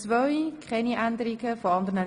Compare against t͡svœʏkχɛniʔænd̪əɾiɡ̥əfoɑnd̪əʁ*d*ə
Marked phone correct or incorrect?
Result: incorrect